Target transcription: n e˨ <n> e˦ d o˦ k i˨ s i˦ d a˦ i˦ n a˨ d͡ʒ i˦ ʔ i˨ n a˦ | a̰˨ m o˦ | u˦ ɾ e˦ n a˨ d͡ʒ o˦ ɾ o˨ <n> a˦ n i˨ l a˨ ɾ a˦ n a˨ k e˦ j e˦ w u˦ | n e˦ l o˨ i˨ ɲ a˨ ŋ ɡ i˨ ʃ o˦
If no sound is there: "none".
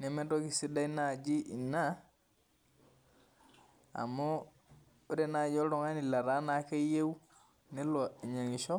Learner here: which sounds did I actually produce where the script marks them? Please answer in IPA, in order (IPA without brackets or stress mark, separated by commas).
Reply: m, ŋ